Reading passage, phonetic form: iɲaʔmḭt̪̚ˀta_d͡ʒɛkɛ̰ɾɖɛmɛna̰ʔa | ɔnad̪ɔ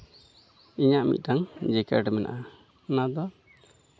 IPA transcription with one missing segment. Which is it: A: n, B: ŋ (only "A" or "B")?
B